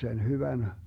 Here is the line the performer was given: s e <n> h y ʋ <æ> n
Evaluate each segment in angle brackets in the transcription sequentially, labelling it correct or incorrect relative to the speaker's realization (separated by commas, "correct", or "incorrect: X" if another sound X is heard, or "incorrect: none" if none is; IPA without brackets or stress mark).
correct, correct